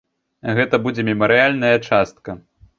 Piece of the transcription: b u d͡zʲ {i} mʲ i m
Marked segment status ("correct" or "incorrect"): incorrect